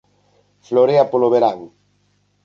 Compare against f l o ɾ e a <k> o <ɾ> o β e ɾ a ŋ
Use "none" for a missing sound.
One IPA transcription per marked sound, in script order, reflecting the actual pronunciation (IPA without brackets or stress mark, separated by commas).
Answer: p, l